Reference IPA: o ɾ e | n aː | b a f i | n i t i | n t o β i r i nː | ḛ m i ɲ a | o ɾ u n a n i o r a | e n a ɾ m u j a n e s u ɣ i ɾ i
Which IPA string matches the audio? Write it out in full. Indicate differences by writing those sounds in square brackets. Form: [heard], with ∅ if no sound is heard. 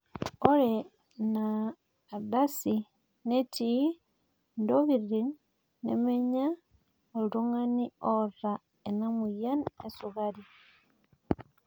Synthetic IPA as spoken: o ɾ e | n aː | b a [s] i | n [e] t i | n [d] o β i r i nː | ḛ m [e] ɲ a | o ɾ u [ŋ] a n i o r a | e n a [∅] m u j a n e s u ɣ [a] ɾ i